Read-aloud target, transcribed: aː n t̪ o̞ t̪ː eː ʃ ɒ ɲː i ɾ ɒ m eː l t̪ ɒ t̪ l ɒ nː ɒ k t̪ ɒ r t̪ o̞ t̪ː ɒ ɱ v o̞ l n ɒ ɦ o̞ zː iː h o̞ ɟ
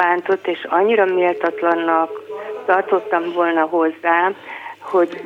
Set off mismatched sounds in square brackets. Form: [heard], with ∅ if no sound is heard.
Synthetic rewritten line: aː n t̪ o̞ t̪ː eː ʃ ɒ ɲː i ɾ ɒ m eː l t̪ ɒ t̪ l ɒ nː ɒ k t̪ ɒ r t̪ o̞ t̪ː ɒ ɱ v o̞ l n ɒ ɦ o̞ zː [aː] h o̞ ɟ